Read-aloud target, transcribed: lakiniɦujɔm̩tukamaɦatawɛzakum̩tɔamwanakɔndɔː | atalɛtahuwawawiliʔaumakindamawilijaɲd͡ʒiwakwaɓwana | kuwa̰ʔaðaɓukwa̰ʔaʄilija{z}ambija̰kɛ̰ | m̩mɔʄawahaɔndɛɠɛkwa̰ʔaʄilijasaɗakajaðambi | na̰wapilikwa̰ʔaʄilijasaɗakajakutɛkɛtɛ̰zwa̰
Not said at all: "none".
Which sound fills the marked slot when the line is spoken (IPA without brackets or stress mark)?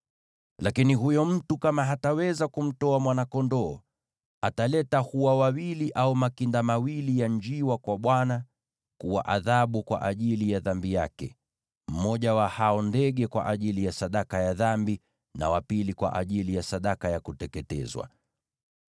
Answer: ð